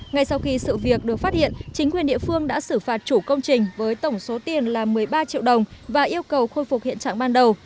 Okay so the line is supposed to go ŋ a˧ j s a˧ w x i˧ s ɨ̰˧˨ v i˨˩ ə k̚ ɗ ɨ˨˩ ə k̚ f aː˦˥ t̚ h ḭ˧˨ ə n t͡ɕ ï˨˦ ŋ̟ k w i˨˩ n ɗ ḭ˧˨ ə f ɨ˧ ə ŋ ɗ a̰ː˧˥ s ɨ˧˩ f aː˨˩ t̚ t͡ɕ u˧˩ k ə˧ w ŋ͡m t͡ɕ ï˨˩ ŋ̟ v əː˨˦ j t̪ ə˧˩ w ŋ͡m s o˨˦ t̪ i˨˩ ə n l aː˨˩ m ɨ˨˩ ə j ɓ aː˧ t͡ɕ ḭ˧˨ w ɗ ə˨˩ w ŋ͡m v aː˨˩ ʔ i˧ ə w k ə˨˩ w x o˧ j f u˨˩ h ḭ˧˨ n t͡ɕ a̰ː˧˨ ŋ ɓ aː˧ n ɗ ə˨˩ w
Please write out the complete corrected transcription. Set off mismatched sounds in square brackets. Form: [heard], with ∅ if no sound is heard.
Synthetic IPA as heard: ŋ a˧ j s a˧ w x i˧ s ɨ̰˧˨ v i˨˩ ə k̚ ɗ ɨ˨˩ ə k̚ f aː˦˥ t̚ h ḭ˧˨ ə n t͡ɕ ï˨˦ ŋ̟ k w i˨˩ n ɗ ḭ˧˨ ə f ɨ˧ ə ŋ ɗ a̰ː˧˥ s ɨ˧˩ f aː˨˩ t̚ t͡ɕ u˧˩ k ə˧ w ŋ͡m t͡ɕ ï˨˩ ŋ̟ v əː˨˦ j t̪ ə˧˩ w ŋ͡m s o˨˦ t̪ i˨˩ ə n l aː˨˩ m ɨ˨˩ ə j ɓ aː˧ t͡ɕ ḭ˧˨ w ɗ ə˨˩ w ŋ͡m v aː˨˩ ʔ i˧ ə w k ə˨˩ w x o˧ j f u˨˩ h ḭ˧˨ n t͡ɕ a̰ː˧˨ ŋ ɓ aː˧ n ɗ ə˨˩ w